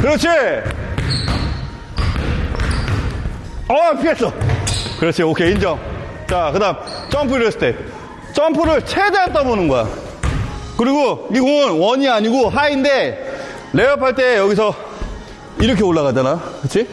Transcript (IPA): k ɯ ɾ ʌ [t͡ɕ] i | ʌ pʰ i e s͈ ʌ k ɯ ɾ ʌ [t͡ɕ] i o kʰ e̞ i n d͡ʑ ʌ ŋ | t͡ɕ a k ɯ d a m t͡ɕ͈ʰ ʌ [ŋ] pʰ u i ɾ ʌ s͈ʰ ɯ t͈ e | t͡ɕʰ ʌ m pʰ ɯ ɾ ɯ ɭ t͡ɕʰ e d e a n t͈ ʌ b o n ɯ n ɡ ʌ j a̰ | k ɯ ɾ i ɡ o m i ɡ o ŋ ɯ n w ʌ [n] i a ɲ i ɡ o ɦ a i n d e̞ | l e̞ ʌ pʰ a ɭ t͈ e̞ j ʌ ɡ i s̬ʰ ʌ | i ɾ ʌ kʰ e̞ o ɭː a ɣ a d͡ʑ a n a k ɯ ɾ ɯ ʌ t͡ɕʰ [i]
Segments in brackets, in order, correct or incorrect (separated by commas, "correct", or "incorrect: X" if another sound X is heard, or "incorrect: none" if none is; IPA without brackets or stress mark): incorrect: t͡ɕʰ, incorrect: t͡ɕʰ, incorrect: m, incorrect: ɲ, correct